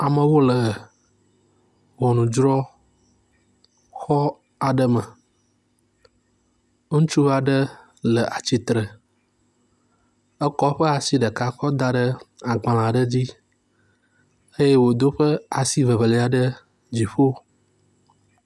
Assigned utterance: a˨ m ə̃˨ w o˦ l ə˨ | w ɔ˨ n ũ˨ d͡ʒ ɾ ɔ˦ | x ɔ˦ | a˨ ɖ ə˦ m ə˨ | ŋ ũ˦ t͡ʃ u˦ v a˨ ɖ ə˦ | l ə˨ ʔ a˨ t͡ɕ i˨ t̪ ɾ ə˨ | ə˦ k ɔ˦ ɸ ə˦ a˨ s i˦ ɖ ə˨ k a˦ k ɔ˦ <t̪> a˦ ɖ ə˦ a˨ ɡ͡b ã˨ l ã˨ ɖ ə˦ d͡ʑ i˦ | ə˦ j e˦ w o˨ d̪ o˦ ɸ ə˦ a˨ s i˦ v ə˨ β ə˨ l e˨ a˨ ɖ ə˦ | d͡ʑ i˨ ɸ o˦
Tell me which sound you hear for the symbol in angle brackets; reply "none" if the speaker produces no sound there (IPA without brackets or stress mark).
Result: d̪